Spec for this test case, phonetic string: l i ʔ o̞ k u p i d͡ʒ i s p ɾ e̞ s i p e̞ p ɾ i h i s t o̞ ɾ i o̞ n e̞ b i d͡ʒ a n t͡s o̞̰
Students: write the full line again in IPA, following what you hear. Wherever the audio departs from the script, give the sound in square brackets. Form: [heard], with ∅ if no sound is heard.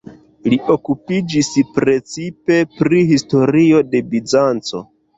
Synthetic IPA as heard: l i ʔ o̞ k u p i d͡ʒ i s p ɾ e̞ [t͡s] i p e̞ p ɾ i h i s t o̞ ɾ i o̞ [d] e̞ b i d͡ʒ a n t͡s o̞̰